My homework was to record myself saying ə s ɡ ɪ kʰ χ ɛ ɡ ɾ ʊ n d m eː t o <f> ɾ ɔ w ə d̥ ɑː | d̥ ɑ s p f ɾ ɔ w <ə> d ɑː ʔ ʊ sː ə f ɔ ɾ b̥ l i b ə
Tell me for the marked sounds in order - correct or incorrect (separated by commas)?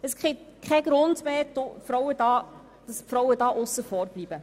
correct, correct